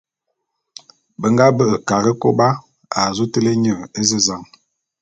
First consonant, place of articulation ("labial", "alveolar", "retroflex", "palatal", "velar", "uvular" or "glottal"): labial